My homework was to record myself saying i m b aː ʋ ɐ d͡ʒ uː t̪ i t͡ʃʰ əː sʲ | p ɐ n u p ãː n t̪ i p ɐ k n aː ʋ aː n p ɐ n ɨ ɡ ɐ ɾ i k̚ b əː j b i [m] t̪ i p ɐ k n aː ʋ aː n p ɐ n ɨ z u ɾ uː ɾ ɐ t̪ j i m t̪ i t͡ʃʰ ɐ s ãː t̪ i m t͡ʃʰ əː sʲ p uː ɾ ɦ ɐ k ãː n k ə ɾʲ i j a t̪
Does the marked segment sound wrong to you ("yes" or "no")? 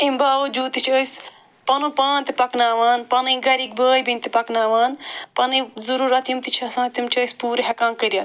yes